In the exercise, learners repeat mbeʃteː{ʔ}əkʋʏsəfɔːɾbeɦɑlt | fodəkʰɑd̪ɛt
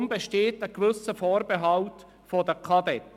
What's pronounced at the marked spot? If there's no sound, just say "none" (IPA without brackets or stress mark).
t